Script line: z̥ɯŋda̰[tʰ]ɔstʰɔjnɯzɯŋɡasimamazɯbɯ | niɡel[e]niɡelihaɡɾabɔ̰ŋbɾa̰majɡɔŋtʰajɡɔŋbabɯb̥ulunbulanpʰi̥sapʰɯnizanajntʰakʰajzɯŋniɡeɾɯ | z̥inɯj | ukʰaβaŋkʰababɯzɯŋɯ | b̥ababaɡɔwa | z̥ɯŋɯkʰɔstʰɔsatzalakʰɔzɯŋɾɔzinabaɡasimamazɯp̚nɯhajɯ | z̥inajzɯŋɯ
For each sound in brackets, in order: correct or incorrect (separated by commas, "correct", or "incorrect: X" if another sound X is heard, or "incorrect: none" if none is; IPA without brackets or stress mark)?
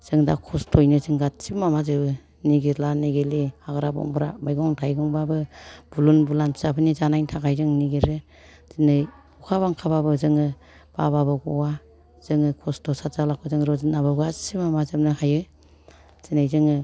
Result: incorrect: kʰ, incorrect: a